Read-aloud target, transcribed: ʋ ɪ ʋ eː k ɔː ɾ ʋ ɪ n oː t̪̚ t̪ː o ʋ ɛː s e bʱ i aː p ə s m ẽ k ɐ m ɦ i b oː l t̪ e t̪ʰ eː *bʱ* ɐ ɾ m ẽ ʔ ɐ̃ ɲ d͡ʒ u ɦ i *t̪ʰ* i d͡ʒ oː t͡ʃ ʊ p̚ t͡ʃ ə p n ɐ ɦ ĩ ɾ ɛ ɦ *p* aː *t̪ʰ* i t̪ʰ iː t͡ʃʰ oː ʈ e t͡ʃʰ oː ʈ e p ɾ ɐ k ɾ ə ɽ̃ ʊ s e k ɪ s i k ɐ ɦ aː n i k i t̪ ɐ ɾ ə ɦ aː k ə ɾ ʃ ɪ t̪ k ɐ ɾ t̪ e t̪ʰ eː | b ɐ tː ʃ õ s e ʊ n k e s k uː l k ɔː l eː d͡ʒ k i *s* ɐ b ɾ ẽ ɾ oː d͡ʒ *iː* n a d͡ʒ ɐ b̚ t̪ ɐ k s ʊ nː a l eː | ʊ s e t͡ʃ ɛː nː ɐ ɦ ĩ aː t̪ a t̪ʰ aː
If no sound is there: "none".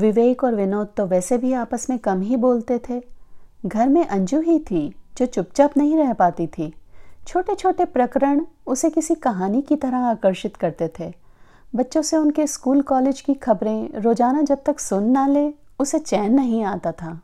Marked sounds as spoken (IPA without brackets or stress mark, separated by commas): ɡʱ, t̪ʰ, p, t̪, x, aː